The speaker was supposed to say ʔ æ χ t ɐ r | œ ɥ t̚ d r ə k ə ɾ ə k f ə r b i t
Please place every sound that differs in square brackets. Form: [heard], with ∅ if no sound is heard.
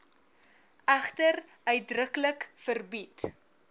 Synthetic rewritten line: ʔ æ χ t [ə] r | œ ɥ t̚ d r ə k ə [l] ə k f ə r b i t